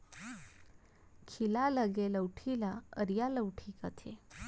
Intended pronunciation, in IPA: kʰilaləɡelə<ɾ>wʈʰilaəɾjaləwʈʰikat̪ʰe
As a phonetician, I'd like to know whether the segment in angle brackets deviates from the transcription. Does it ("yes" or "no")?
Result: yes